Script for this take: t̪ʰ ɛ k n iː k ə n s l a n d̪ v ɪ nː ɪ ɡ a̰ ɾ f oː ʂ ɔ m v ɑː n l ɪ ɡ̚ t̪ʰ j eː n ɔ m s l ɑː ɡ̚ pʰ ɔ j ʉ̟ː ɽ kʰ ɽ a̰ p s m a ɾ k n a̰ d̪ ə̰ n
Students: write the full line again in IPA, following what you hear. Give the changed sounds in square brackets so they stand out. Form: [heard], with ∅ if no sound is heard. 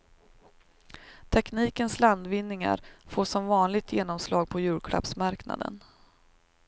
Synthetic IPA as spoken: t̪ʰ ɛ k n iː k ə n s l a n d̪ v ɪ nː ɪ [ŋ] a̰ ɾ f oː ʂ ɔ m v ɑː n l ɪ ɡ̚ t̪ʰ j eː n ɔ m s l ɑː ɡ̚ pʰ ɔ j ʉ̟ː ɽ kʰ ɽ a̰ p s m a ɾ k n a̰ d̪ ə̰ n